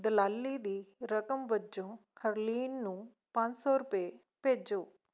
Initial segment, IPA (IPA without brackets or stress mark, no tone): d̪